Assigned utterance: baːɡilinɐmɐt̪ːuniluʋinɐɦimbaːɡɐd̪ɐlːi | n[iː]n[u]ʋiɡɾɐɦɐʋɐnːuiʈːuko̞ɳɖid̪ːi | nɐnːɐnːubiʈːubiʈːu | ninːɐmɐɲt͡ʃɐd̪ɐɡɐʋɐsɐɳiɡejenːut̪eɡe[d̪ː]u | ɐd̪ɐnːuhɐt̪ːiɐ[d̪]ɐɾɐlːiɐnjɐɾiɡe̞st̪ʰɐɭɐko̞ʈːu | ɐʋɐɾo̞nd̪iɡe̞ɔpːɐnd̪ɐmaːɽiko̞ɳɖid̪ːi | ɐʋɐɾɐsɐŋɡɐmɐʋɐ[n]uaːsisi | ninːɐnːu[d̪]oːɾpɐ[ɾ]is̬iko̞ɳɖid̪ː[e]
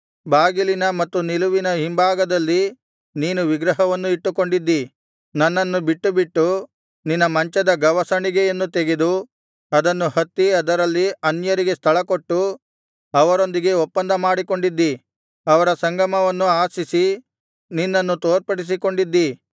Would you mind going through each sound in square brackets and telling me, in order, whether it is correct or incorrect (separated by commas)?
correct, correct, incorrect, correct, incorrect, incorrect, incorrect, incorrect